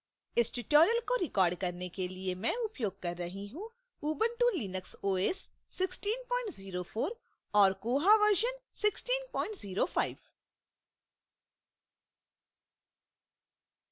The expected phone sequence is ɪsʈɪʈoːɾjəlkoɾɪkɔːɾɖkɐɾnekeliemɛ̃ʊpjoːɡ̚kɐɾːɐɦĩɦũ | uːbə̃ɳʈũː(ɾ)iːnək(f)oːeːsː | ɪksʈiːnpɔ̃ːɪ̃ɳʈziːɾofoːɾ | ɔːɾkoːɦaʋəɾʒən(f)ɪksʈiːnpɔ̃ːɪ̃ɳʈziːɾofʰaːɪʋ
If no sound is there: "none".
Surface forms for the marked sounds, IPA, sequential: l, s, s

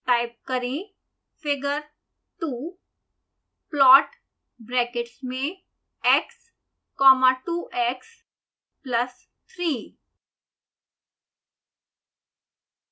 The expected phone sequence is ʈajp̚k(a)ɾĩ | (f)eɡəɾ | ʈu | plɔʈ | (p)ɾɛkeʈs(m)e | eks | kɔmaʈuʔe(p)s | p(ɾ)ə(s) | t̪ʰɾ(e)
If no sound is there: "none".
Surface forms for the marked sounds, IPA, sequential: ə, f, b, m, k, l, s, i

